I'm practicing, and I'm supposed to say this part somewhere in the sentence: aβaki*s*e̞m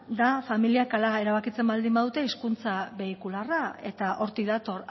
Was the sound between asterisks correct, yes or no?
no